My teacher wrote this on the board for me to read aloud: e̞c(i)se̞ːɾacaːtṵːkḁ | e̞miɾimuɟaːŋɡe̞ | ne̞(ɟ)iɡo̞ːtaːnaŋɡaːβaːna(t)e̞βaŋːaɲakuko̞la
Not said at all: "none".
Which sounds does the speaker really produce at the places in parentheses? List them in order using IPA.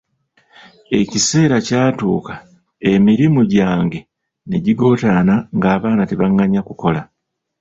i, ɟ, t

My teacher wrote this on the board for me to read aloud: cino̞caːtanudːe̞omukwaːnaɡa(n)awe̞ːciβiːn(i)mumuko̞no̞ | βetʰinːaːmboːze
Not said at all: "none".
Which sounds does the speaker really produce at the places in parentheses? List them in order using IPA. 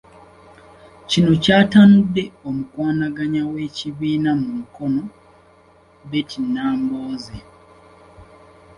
ɲ, a

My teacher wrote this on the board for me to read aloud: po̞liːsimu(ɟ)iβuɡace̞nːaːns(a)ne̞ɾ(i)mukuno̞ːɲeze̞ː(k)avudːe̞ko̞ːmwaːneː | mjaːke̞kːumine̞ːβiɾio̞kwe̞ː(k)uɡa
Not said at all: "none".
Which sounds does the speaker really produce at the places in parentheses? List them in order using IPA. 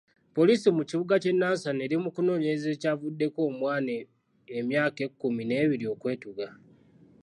c, a, i, c, t

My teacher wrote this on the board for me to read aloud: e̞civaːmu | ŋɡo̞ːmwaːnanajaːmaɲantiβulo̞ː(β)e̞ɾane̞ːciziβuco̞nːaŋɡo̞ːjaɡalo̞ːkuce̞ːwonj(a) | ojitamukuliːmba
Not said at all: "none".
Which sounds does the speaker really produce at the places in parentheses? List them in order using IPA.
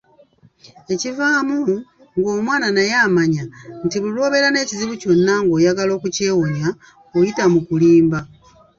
β, a

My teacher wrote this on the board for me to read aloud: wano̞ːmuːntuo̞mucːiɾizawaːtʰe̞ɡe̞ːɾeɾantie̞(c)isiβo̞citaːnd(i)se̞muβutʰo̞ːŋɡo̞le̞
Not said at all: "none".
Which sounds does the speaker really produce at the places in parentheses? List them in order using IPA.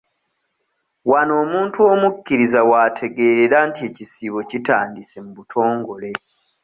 c, i

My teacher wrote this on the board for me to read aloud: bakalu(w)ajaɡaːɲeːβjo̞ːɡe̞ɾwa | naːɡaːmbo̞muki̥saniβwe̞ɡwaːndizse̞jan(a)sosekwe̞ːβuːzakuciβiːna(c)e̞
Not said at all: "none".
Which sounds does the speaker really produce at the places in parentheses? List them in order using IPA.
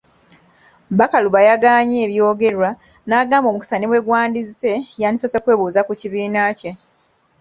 β, i, c

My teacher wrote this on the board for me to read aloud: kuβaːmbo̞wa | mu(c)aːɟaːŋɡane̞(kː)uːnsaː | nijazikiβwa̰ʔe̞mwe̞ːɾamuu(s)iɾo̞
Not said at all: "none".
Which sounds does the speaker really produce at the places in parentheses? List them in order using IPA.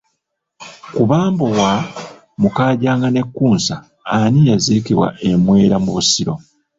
k, kː, s

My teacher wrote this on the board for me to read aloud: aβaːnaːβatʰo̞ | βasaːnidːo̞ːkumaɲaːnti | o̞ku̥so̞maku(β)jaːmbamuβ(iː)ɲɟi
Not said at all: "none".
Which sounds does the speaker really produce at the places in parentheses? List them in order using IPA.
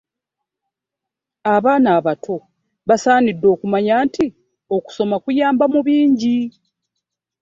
none, iː

